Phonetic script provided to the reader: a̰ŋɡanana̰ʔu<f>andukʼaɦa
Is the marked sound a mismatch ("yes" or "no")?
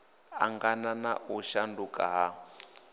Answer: yes